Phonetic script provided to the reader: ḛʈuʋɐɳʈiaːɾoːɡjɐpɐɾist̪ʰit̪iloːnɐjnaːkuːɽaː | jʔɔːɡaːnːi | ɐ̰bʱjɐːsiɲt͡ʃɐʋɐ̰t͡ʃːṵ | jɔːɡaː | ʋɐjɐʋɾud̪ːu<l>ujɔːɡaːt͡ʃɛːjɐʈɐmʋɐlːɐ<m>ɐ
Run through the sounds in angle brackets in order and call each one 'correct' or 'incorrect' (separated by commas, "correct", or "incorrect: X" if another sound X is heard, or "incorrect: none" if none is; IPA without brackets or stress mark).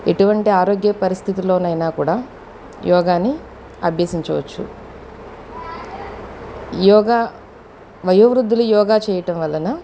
correct, incorrect: n